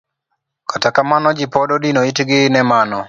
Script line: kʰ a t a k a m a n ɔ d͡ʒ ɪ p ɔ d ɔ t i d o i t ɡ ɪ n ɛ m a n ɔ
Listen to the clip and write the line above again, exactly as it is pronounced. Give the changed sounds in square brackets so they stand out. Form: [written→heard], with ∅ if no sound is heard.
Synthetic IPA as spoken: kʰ a t a k a m a n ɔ d͡ʒ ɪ p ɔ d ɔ [t→d] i [d→n] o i t ɡ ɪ n ɛ m a n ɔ